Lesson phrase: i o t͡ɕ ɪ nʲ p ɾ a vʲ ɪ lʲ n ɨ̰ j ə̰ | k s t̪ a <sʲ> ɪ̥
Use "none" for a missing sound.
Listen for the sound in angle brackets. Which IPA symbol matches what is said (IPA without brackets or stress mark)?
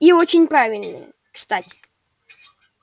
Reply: tʲ